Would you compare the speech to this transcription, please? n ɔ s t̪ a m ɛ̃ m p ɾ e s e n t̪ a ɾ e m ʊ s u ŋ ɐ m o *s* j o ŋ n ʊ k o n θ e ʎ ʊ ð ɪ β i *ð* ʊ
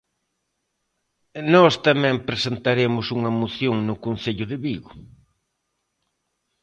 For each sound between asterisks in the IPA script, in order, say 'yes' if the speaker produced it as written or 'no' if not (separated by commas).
no, no